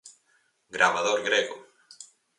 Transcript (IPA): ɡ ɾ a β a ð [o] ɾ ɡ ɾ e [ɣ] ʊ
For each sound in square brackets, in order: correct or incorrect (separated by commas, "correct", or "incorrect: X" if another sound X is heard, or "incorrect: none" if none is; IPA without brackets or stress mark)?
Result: correct, correct